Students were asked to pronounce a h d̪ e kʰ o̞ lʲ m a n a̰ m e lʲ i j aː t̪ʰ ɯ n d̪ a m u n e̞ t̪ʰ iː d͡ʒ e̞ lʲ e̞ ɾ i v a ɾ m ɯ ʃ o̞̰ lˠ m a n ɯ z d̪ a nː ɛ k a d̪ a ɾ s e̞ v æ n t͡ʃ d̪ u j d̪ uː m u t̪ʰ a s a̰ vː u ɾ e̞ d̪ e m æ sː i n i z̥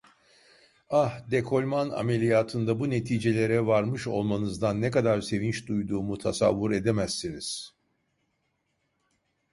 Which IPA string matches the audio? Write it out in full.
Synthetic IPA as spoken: a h d̪ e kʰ o̞ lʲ m a n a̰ m e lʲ i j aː t̪ʰ ɯ n d̪ a b u n e̞ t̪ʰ iː d͡ʒ e̞ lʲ e̞ ɾ ɛ v a ɾ m ɯ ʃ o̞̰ lˠ m a n ɯ z d̪ a nː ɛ k a d̪ a ɾ s e̞ v i n t͡ʃ d̪ u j d̪ uː m u t̪ʰ a s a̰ vː u ɾ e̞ d̪ e m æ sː i n i z̥